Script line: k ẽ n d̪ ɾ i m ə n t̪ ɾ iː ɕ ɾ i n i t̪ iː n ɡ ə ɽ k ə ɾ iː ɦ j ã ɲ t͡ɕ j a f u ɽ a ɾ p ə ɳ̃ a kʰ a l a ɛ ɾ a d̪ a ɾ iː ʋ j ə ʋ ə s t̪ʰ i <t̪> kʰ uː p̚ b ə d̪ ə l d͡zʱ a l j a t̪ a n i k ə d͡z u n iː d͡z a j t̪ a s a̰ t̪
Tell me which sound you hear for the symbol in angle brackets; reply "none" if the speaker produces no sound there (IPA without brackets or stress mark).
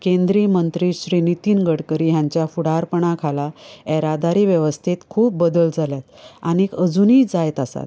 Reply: t̪